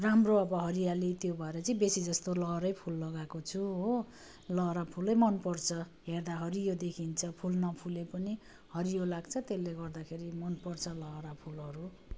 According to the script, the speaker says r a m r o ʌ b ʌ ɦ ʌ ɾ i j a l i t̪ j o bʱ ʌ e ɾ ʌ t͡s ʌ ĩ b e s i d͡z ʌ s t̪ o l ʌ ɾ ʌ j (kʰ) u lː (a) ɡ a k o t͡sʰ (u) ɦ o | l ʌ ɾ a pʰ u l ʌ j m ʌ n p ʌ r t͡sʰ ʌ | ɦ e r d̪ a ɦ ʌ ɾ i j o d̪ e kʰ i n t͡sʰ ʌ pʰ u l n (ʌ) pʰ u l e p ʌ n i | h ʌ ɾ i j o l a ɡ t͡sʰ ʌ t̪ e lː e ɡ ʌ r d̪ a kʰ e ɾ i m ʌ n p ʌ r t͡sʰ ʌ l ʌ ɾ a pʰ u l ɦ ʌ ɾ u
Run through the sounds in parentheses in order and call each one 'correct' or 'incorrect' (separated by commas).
incorrect, incorrect, correct, correct